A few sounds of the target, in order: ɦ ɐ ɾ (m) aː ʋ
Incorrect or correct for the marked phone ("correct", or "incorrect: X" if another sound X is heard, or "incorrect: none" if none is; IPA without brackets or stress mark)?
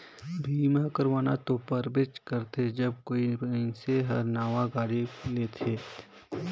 incorrect: n